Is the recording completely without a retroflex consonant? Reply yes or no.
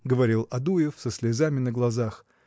yes